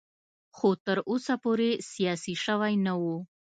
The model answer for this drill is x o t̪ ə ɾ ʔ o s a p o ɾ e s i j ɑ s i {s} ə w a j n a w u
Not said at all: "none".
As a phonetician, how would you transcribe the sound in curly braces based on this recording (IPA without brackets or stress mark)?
ʃ